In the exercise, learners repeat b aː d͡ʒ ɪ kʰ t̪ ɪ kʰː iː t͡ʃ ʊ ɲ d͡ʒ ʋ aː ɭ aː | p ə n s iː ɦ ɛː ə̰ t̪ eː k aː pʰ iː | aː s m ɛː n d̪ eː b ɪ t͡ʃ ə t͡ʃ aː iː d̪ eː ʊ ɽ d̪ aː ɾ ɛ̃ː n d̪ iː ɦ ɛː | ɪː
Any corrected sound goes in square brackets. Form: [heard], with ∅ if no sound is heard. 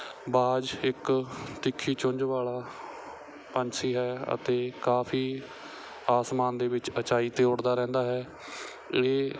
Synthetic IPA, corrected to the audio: b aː d͡ʒ ɪ [k] t̪ ɪ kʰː iː t͡ʃ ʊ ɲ d͡ʒ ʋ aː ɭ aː | p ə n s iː ɦ ɛː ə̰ t̪ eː k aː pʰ iː | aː s m [aː] n d̪ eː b ɪ t͡ʃ ə t͡ʃ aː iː [t̪] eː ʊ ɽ d̪ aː ɾ ɛ̃ː n d̪ [aː] ɦ ɛː | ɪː